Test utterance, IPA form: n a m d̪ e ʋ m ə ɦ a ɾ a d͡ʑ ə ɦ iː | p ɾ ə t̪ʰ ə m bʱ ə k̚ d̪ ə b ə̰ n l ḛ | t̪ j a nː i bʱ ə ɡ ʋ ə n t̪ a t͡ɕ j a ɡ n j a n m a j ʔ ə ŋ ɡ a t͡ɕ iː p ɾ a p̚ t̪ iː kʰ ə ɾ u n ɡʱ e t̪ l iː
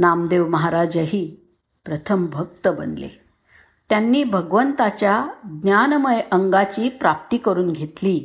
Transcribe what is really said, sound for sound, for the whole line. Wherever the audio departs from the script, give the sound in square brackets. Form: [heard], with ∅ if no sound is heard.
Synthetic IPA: n a m d̪ e ʋ m ə ɦ a ɾ a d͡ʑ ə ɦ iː | p ɾ ə t̪ʰ ə m bʱ ə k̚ [t̪] ə b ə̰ n l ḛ | t̪ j a nː [iː] bʱ ə ɡ ʋ ə n t̪ a t͡ɕ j a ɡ n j a n m [ə] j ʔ ə ŋ ɡ a t͡ɕ iː p ɾ a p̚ t̪ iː [k] ə ɾ [uː] n ɡʱ e t̪ l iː